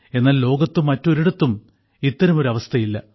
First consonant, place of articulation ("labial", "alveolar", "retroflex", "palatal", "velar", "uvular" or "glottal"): alveolar